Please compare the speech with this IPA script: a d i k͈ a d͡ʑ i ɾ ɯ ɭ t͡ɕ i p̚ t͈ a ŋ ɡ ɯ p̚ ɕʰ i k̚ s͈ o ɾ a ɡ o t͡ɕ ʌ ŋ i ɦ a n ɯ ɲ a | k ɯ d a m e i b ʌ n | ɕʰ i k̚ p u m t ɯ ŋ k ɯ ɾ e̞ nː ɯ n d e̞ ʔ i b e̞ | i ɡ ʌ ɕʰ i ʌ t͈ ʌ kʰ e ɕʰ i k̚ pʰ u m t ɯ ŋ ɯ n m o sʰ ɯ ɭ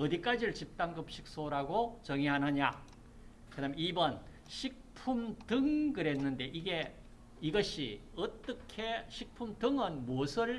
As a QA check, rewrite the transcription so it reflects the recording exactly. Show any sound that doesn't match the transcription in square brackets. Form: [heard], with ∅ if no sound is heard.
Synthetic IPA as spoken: [ʌ] d i k͈ a d͡ʑ i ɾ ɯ ɭ t͡ɕ i p̚ t͈ a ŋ ɡ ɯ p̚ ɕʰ i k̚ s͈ o ɾ a ɡ o t͡ɕ ʌ ŋ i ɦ a n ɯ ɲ a | k ɯ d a m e i b ʌ n | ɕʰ i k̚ [pʰ] u m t ɯ ŋ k ɯ ɾ e̞ nː ɯ n d e̞ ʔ i [ɡ] e̞ | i ɡ ʌ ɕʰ i ʌ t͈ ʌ kʰ e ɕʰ i k̚ pʰ u m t ɯ ŋ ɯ n m o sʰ ɯ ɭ